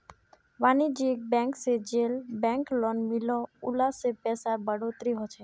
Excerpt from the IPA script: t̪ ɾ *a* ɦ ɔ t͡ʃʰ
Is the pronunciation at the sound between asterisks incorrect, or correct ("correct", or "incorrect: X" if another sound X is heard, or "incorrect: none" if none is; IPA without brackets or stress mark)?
incorrect: i